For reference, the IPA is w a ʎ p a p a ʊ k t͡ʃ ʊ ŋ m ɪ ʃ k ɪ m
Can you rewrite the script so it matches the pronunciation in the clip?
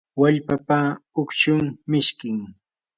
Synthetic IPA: w a ʎ p a p a ʊ k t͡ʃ ʊ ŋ m ɪ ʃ k ɪ ŋ